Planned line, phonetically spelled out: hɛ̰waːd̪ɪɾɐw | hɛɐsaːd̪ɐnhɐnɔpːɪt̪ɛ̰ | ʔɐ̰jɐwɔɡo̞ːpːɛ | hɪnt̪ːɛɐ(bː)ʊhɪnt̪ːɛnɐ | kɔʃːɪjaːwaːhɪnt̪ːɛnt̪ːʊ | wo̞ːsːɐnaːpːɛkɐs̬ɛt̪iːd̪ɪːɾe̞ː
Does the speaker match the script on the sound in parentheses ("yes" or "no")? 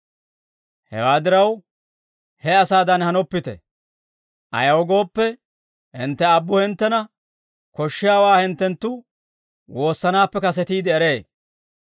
yes